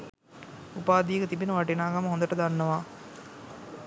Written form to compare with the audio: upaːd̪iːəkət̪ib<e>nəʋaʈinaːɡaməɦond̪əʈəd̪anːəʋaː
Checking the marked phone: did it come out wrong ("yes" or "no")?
yes